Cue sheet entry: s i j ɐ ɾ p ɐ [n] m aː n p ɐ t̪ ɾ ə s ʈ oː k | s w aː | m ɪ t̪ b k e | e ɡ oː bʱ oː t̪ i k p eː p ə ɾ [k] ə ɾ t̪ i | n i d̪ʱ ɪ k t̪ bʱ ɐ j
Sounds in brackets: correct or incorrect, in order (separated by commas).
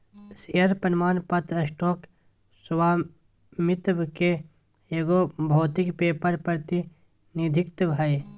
correct, incorrect